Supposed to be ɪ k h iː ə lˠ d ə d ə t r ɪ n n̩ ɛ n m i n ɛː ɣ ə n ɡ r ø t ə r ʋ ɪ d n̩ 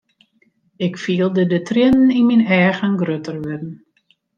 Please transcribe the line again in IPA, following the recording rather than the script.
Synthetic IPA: ɪ k f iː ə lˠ d ə d ə t r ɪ n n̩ i n m i n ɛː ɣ ə n ɡ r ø t ə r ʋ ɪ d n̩